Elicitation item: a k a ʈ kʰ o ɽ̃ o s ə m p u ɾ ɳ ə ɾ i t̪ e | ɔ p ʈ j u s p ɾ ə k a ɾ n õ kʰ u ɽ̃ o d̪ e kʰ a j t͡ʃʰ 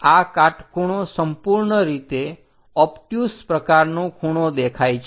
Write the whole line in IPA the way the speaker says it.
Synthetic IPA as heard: a k a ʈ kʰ u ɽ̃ o s ə m p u ɾ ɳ ə ɾ i t̪ e | ɔ p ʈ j u s p ɾ ə k a ɾ n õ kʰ u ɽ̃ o d̪ e kʰ a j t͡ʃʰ